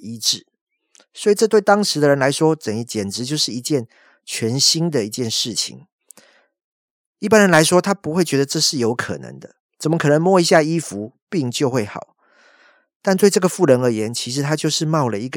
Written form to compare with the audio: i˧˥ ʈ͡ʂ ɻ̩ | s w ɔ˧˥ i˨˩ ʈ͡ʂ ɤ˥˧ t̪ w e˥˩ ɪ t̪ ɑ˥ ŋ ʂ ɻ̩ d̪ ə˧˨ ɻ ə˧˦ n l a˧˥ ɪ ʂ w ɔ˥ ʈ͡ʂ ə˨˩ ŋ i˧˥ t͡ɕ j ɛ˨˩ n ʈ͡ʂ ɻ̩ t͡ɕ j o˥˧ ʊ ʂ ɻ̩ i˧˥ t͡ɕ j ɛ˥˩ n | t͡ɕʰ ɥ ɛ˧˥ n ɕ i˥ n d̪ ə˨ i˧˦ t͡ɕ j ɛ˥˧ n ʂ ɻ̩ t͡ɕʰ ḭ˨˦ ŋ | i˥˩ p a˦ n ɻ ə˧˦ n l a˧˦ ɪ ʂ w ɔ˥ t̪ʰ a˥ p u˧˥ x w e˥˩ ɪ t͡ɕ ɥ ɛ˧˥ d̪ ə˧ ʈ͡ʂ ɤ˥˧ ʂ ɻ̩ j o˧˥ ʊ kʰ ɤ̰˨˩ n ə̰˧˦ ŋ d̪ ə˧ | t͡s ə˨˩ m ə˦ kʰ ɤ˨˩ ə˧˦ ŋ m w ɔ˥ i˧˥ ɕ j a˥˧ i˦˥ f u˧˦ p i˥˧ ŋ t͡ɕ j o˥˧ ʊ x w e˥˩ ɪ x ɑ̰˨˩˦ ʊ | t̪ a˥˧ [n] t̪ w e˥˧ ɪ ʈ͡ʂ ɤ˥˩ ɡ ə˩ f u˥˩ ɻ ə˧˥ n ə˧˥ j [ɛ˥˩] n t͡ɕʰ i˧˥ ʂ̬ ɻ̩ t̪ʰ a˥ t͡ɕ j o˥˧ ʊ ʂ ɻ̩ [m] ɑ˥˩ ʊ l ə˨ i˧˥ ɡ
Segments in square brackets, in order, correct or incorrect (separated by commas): correct, incorrect, correct